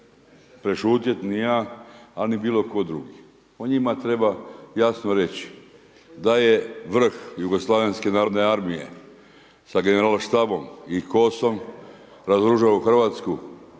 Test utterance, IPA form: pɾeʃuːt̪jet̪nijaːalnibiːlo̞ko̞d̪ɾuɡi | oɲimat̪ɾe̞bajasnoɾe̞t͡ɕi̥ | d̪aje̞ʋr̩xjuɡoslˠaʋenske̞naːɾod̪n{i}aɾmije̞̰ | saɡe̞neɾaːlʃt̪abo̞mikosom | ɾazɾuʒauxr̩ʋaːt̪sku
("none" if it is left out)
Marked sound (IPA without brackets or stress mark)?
e